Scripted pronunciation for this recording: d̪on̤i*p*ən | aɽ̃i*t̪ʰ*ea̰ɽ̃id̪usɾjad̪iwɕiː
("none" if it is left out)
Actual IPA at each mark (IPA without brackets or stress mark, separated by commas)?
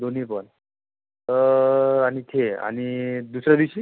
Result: p, t̪ʰ